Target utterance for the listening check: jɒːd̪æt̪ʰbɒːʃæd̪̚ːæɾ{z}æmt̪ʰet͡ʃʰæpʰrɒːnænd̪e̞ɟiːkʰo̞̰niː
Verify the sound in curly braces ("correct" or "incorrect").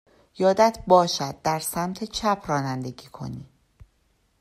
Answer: incorrect